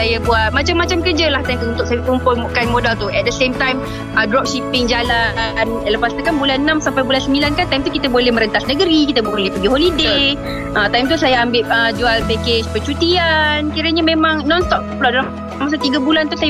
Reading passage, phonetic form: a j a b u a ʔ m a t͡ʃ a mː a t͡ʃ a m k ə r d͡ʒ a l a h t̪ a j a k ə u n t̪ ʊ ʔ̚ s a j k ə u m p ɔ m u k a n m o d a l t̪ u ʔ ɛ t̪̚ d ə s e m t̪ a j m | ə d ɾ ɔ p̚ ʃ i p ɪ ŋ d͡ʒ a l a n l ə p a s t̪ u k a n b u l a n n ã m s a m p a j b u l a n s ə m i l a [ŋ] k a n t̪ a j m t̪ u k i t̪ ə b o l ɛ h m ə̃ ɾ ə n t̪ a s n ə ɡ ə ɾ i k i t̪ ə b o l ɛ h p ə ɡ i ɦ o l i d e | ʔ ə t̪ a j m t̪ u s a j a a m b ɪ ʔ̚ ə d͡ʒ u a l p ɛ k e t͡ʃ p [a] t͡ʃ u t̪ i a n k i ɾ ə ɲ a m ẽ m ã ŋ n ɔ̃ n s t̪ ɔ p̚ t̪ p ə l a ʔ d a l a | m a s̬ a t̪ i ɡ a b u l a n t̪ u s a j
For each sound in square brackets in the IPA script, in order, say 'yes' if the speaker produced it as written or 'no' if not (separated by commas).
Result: no, no